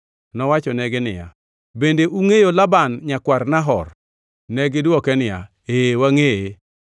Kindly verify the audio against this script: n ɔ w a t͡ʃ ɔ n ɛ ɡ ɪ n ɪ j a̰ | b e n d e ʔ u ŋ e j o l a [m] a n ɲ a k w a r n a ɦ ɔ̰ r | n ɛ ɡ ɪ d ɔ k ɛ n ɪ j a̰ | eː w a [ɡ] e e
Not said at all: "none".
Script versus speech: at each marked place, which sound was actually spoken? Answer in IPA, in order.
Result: b, ŋ

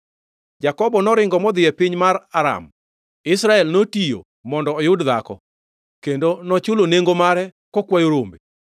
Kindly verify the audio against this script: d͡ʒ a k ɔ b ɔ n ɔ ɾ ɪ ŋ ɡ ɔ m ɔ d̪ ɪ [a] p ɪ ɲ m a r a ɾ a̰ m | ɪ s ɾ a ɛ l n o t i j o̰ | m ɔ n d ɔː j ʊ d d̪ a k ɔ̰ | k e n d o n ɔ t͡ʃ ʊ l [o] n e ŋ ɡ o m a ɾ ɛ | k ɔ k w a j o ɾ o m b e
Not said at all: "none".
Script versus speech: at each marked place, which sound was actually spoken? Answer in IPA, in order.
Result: ɛ, o

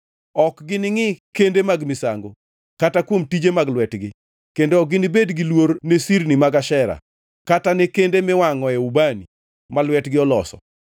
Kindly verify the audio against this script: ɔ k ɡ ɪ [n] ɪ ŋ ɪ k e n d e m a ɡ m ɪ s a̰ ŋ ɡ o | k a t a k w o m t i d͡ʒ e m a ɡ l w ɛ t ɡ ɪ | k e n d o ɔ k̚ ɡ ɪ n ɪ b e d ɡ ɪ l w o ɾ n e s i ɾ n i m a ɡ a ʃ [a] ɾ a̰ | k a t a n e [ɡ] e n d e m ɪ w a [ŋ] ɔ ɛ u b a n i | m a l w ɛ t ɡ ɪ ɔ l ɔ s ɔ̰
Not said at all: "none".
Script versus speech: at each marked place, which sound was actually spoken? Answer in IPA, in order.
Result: n, ɛ, k, ŋ

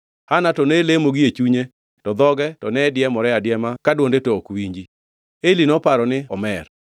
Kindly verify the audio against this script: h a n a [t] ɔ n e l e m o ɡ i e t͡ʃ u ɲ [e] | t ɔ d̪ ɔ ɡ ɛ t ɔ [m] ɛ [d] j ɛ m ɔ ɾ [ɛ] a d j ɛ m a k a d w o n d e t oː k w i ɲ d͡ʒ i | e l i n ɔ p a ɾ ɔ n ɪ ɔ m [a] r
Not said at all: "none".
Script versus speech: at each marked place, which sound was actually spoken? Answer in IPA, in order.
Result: t, e, n, d, ɛ, ɛ

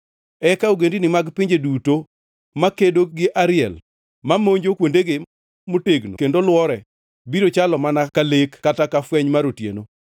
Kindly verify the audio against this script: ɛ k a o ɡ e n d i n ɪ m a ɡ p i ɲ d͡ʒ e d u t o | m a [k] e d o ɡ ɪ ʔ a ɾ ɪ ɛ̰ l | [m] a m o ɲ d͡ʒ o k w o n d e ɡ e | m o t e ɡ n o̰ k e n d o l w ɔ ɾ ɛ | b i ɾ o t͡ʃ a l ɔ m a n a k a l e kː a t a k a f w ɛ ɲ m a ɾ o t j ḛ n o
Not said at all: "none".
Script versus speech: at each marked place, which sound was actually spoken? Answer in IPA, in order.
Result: k, m

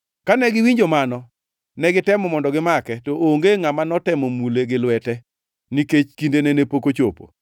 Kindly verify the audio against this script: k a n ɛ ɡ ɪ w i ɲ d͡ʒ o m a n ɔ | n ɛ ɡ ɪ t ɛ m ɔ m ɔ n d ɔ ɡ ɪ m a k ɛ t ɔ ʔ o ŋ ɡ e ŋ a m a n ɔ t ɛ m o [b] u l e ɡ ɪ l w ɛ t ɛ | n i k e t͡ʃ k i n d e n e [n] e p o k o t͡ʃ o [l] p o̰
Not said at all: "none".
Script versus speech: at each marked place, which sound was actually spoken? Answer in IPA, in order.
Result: m, n, none

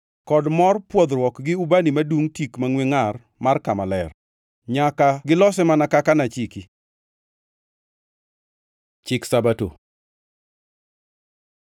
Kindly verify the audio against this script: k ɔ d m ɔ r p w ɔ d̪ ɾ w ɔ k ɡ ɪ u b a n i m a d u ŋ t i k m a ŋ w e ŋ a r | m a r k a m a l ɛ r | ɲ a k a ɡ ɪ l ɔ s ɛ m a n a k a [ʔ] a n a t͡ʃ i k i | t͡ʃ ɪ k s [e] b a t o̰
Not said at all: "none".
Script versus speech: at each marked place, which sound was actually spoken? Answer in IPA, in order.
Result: k, a

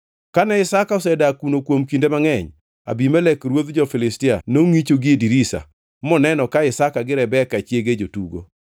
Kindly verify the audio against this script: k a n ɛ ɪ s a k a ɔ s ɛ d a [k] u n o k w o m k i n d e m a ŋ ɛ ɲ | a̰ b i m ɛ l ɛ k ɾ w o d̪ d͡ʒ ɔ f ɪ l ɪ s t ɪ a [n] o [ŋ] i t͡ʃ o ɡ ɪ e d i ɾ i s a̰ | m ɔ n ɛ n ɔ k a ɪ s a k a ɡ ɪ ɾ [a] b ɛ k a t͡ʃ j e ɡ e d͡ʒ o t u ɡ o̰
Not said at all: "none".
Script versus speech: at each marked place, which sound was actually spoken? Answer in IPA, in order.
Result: k, n, ŋ, ɛ

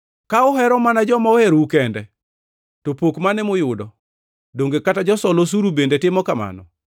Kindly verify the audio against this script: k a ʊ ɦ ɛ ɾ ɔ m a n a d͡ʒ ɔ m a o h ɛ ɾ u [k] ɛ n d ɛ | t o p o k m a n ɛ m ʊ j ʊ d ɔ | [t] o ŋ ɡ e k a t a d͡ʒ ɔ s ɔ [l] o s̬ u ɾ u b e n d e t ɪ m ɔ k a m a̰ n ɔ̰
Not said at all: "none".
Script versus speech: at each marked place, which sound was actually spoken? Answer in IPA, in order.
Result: k, d, l

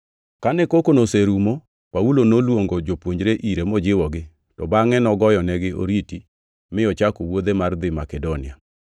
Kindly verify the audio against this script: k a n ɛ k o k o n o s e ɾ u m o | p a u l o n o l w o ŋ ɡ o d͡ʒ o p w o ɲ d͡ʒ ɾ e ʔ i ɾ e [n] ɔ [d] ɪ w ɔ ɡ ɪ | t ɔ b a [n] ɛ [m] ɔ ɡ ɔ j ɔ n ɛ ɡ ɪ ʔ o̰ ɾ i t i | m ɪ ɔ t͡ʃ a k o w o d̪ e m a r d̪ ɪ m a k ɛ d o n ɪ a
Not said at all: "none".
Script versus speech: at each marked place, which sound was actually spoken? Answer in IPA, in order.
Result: m, d͡ʒ, ŋ, n

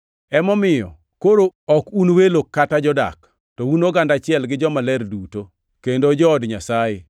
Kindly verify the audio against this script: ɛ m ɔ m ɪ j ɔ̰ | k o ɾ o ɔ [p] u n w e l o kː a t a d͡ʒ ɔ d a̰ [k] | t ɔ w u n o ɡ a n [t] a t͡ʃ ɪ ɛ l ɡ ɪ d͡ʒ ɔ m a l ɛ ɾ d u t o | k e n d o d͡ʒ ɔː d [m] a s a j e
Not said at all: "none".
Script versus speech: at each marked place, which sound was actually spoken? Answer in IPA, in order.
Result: k, k, d, ɲ

